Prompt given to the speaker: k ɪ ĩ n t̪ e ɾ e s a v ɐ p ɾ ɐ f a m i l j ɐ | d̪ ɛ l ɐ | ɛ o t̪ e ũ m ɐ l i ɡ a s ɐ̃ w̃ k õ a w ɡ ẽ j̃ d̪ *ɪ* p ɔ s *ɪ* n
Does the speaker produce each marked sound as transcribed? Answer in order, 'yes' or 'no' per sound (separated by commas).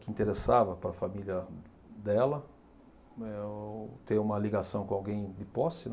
yes, yes